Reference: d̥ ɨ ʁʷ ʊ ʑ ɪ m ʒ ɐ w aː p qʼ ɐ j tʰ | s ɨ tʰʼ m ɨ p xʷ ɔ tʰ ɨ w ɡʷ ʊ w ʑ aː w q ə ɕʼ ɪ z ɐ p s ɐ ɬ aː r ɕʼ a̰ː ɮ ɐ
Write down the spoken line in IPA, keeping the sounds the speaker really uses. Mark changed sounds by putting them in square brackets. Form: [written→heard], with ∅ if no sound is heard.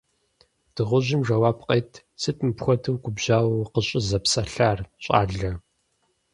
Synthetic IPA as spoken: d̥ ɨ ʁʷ ʊ ʑ ɪ m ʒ ɐ w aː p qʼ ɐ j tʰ | s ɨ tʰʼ m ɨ p xʷ ɔ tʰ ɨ w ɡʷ ʊ [w→b] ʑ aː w q ə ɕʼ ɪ z ɐ p s ɐ ɬ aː r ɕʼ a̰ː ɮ ɐ